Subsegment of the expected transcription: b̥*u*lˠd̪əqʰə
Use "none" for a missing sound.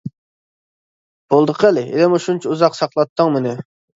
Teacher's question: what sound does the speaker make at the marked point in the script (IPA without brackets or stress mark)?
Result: o